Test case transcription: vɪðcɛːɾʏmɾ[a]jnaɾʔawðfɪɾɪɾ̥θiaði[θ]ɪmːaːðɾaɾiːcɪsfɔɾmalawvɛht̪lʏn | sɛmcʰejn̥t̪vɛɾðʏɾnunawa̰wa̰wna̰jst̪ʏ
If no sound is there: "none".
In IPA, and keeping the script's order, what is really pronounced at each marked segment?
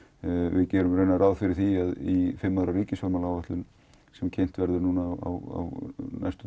e, f

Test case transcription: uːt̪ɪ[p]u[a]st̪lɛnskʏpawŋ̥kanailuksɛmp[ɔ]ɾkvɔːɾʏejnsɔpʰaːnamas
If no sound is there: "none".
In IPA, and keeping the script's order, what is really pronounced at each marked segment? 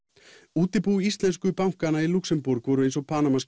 p, i, u

